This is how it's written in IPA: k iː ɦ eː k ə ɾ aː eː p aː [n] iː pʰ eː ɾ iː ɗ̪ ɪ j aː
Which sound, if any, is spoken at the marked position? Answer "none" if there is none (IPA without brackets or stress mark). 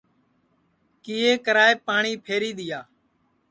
ɳ